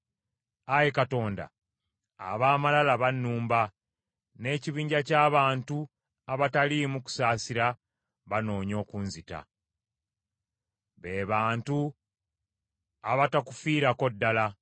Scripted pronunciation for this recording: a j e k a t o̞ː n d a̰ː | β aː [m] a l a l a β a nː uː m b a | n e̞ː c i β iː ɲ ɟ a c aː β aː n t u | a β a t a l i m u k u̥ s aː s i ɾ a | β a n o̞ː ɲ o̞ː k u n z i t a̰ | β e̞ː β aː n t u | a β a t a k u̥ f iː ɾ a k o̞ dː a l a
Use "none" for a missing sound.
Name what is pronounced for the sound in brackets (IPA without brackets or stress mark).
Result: m